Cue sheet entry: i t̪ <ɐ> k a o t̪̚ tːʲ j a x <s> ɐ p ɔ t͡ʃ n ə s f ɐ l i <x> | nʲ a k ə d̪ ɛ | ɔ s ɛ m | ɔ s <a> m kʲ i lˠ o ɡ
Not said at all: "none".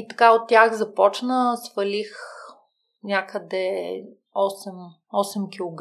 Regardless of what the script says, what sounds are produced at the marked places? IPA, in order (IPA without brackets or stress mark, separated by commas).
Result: ɐ, z, x, ɛ